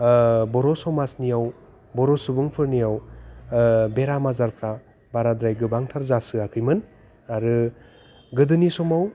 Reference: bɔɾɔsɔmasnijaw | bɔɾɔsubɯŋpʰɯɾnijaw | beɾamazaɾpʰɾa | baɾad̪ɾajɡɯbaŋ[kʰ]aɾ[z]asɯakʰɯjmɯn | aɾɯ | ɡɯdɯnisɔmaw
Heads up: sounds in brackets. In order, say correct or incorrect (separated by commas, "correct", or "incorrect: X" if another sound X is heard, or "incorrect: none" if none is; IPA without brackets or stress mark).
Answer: incorrect: tʰ, correct